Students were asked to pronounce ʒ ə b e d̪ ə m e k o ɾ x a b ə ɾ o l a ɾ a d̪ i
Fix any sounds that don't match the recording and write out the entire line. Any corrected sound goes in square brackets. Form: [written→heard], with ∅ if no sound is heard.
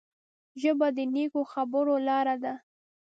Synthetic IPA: ʒ ə b [e→a] d̪ ə [m→n] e k o [ɾ→∅] x a b ə ɾ o l [a→ɑ] ɾ a d̪ [i→a]